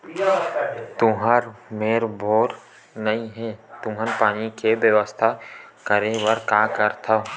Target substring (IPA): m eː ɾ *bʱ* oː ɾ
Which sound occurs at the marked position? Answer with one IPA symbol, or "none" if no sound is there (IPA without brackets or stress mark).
bʱ